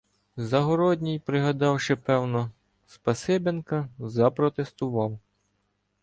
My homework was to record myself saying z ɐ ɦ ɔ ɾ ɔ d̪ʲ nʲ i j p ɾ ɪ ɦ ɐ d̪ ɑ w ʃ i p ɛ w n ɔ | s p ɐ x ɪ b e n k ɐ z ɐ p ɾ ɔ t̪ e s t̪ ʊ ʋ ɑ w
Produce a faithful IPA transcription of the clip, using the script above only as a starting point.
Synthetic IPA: z ɐ ɦ ɔ ɾ ɔ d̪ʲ nʲ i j p ɾ ɪ ɦ ɐ d̪ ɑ w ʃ ɪ p ɛ w n ɔ | s p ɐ s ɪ b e n k ɐ z ɐ p ɾ ɔ t̪ e s t̪ ʊ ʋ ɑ w

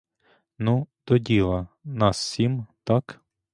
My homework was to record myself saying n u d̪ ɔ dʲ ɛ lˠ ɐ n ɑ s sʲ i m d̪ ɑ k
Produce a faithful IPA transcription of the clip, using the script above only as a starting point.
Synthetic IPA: n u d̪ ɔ dʲ i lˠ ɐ n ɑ s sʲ i m t̪ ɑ k

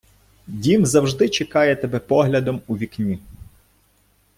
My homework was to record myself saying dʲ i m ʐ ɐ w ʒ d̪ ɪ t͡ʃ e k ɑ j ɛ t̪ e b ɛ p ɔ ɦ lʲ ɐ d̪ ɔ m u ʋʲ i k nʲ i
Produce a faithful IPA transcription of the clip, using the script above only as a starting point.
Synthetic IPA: dʲ i m z ɐ w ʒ d̪ ɪ t͡ʃ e k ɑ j ɛ t̪ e b ɛ p ɔ ɦ lʲ ɐ d̪ ɔ m u ʋʲ i k nʲ i

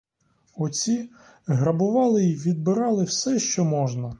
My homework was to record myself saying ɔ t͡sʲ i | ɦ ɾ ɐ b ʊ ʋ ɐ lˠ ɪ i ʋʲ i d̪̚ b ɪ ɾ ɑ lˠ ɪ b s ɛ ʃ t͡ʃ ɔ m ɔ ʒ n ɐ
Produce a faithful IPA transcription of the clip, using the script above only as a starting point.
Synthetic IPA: ɔ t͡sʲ i | ɦ ɾ ɐ b ʊ ʋ ɑ lˠ ɪ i ʋʲ i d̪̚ b ɪ ɾ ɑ lˠ ɪ w s ɛ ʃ t͡ʃ ɔ m ɔ ʒ n ɐ

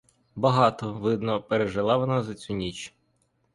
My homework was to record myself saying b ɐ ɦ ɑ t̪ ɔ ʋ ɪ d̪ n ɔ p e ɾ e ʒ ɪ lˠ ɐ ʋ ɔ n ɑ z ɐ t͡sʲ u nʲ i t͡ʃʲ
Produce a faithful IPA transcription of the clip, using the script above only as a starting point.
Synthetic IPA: b ɐ ɦ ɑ t̪ ɔ ʋ ɪ d̪ n ɔ p e ɾ e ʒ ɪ lˠ ɑ ʋ ɔ n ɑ z ɐ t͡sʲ u nʲ i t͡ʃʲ

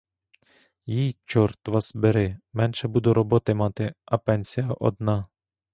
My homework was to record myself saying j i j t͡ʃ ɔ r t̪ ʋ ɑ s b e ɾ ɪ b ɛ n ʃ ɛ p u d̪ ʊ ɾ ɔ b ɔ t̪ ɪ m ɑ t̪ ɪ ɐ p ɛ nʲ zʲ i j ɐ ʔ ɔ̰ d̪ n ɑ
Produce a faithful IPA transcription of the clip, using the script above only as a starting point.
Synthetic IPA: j i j t͡ʃ ɔ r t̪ ʋ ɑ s b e ɾ ɪ m ɛ n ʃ ɛ b u d̪ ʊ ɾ ɔ b ɔ t̪ ɪ m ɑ t̪ ɪ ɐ p ɛ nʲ sʲ i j ɐ ʔ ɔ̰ d̪ n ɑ

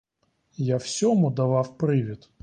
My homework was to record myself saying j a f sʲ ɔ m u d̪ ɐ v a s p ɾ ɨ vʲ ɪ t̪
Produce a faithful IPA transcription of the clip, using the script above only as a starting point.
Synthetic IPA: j a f sʲ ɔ m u d̪ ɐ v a f p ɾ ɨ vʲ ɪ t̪

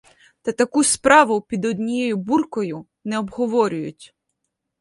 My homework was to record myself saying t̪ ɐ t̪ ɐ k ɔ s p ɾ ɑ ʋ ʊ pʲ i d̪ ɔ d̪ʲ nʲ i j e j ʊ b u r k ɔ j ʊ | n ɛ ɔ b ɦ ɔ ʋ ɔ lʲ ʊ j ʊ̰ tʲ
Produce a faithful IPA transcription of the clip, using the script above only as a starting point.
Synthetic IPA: t̪ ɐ t̪ ɐ k u s p ɾ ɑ ʋ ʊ pʲ i d̪ ɔ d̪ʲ nʲ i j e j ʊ b u r k ɔ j ʊ | n ɛ ɔ b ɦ ɔ ʋ ɔ ɾʲ ʊ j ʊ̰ tʲ

